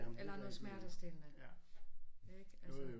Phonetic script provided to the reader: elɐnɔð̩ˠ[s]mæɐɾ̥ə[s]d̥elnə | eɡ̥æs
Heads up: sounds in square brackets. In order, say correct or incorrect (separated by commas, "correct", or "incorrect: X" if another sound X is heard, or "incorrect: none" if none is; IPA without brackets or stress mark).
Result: correct, correct